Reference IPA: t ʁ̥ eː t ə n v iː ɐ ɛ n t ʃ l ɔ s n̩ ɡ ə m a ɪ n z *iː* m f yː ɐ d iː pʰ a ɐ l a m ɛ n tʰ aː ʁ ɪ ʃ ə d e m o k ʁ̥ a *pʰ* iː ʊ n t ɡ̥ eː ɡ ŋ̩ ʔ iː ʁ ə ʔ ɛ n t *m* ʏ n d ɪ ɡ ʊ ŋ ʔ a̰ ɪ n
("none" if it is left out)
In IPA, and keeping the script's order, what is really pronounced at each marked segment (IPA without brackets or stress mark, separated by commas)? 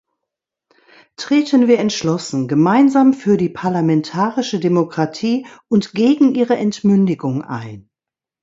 aː, tʰ, m